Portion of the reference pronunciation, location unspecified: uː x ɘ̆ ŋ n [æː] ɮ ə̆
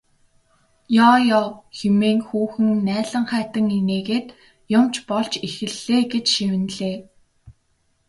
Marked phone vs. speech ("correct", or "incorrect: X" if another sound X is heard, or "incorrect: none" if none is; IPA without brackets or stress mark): correct